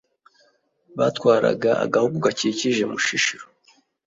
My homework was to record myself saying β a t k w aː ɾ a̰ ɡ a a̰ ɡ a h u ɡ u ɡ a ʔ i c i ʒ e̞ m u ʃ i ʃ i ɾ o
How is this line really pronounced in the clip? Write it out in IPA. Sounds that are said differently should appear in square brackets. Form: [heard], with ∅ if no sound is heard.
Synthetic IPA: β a t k w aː ɾ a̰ ɡ a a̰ ɡ a h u ɡ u ɡ a [c] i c i ʒ e̞ m u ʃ i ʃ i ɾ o